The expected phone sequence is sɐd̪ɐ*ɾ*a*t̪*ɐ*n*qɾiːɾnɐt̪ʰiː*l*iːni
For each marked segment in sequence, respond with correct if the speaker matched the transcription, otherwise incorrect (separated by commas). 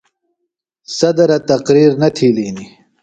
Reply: correct, correct, incorrect, correct